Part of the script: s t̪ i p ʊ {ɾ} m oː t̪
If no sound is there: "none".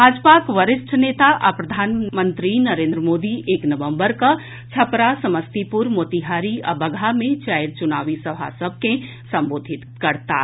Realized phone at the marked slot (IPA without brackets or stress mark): ɾ